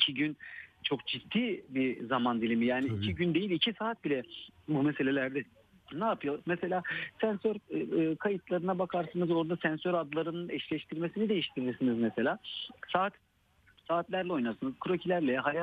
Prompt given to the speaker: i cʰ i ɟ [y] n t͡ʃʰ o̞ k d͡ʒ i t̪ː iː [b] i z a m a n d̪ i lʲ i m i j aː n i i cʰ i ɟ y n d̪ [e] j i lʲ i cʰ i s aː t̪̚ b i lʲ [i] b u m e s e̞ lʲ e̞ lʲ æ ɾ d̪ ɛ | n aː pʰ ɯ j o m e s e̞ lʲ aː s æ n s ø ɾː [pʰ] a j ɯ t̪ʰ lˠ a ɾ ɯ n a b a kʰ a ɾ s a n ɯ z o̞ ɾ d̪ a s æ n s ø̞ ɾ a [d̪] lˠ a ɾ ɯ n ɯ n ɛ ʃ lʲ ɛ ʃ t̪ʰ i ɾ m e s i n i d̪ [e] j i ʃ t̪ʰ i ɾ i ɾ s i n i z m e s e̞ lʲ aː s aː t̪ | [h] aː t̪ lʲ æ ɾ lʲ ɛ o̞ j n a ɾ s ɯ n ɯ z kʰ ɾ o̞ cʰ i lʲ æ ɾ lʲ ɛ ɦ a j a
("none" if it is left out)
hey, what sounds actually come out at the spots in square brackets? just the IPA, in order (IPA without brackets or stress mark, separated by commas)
y, b, e, ɛ, kʰ, d̪, e, s